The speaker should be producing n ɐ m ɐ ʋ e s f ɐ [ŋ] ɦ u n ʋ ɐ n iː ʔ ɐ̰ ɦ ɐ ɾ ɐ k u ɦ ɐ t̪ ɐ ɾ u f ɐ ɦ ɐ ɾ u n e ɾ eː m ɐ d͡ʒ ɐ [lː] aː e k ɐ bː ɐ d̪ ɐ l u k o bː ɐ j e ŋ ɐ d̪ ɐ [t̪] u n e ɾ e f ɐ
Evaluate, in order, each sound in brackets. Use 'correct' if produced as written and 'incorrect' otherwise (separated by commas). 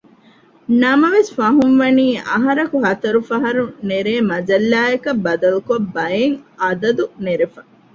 incorrect, correct, incorrect